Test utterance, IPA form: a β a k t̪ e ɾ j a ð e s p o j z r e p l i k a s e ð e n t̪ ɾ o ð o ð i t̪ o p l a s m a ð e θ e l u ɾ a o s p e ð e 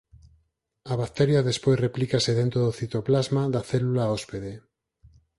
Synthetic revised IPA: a β a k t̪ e ɾ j a ð e s p o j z r e p l i k a s e ð e n t̪ ɾ o ð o θ i t̪ o p l a z m a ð a θ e l u l a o s p e ð e

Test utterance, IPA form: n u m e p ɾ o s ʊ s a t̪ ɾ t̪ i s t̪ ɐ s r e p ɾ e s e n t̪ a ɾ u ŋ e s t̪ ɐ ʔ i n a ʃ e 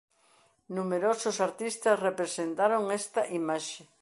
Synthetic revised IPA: n u m e ɾ o s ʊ s a ɾ t̪ i s t̪ ɐ s r e p ɾ e s e n t̪ a ɾ o ŋ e s t̪ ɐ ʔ i m a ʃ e

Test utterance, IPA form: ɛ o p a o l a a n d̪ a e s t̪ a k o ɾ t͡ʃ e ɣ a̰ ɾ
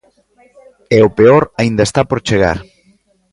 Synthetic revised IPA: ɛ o p e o ɾ a i n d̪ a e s t̪ a p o ɾ t͡ʃ e ɣ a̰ ɾ

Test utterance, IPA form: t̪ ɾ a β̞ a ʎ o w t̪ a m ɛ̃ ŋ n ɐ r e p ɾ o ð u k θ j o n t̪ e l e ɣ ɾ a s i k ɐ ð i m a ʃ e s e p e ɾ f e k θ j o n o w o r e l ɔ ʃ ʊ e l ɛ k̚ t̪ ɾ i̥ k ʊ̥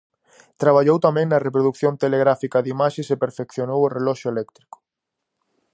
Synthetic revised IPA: t̪ ɾ a β̞ a ʎ o w t̪ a m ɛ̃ ŋ n ɐ r e p ɾ o ð u k θ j o n t̪ e l e ɣ ɾ a f i k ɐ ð i m a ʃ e s e p e ɾ f e k θ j o n o w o r e l ɔ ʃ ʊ e l ɛ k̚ t̪ ɾ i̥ k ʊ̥

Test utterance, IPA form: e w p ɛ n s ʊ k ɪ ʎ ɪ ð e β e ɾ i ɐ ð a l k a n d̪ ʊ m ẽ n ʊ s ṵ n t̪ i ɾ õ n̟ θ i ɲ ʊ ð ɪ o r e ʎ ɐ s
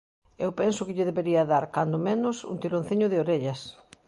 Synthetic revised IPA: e w p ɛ n s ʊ k ɪ ʎ ɪ ð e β e ɾ i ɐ ð a ɾ k a n d̪ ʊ m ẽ n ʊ s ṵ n t̪ i ɾ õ n̟ θ i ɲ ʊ ð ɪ o ɾ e ʎ ɐ s

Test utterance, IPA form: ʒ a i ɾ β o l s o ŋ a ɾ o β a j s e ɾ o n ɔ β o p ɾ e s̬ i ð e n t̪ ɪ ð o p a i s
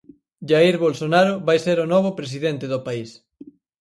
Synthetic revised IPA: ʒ a i ɾ β o l s o n a ɾ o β a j s e ɾ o n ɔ β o p ɾ e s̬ i ð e n t̪ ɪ ð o p a i s

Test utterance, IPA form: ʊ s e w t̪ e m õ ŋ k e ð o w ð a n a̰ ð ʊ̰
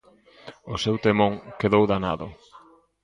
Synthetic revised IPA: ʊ s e w t̪ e m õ ŋ k e ð o w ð a n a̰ ð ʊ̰

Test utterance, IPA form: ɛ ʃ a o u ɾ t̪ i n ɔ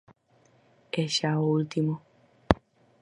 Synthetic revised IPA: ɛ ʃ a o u l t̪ i m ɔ

